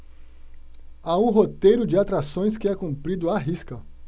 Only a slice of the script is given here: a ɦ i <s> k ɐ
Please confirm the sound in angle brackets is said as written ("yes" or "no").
yes